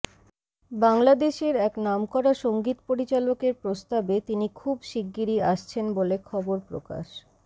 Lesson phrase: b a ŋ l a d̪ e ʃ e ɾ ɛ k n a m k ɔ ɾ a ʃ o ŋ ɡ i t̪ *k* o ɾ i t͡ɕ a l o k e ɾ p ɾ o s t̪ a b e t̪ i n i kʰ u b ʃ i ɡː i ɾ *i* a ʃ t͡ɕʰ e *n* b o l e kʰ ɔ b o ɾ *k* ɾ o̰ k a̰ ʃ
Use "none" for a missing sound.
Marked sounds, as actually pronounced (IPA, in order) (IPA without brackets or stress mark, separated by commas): p, i, n, p